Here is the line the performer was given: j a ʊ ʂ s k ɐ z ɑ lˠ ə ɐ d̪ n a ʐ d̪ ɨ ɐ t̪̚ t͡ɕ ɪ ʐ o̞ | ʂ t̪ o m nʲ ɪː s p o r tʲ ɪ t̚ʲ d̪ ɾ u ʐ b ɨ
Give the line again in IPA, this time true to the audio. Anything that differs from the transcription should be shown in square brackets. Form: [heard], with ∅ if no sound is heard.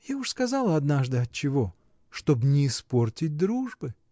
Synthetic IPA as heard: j a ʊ ʂ s k ɐ z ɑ lˠ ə ɐ d̪ n a ʐ d̪ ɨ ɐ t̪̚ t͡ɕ ɪ [v] o̞ | ʂ t̪ o [b] nʲ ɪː s p o r tʲ ɪ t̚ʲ d̪ ɾ u ʐ b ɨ